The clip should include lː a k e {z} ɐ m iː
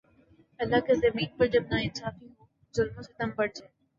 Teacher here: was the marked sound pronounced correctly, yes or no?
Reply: yes